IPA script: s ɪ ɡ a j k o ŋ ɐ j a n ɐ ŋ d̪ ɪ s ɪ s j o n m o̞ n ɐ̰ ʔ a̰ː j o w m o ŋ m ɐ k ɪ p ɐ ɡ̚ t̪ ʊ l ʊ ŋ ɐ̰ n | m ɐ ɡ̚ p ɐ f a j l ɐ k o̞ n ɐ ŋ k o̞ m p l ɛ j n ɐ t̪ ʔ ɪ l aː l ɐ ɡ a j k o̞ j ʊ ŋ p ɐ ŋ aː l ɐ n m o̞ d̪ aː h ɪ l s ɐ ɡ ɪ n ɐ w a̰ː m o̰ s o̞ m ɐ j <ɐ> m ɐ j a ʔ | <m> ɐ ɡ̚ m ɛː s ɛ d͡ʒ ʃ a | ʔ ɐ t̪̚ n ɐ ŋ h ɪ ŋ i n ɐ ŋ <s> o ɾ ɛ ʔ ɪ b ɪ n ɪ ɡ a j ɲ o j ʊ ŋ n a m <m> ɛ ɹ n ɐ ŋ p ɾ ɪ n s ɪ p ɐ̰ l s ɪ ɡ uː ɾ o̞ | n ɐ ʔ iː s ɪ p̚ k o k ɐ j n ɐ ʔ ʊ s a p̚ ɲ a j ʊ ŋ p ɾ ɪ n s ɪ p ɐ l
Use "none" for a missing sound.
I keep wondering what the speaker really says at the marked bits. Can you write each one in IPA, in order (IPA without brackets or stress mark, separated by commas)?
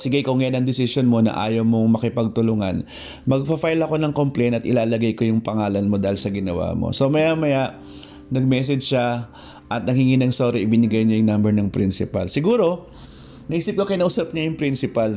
a, n, s, b